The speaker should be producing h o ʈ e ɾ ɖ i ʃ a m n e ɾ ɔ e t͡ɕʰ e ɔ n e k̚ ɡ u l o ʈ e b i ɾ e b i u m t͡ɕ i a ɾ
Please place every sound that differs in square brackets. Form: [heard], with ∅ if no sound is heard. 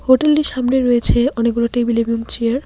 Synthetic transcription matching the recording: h o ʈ e [l] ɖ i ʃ a m n e ɾ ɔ e t͡ɕʰ e ɔ n e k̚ ɡ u l o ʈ e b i [l] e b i u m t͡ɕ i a ɾ